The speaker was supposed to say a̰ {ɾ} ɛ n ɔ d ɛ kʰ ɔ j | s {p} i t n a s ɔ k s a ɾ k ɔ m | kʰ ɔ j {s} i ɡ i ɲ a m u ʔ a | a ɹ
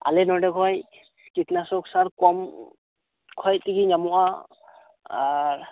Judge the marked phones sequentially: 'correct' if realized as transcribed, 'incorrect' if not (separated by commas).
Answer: incorrect, incorrect, incorrect